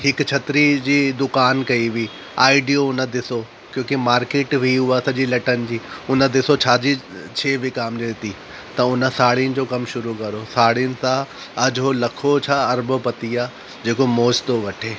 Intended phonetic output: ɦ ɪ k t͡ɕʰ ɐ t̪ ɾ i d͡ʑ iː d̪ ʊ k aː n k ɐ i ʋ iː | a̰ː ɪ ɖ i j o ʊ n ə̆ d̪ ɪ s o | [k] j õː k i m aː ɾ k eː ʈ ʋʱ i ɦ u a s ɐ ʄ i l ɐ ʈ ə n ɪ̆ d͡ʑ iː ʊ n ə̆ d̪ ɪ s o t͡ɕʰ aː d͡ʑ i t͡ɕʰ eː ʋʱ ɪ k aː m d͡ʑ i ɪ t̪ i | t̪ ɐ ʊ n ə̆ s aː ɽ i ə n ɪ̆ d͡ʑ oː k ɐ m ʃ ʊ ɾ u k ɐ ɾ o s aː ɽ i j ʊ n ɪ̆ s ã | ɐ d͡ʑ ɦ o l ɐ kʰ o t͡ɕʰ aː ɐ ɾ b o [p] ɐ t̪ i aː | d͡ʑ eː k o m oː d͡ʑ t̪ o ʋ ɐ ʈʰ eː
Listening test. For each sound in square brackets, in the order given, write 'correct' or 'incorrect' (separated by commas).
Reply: correct, correct